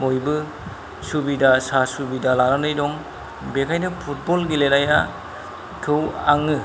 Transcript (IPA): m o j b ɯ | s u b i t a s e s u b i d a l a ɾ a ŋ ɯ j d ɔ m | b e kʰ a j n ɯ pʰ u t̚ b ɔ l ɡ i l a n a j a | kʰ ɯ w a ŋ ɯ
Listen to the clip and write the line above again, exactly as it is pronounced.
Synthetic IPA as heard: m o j b ɯ | s u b i d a s a s u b i d a l a ɾ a n ɯ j d ɔ ŋ | b e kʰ a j n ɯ pʰ u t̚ b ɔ l ɡ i l e n a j a | kʰ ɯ w a ŋ ɯ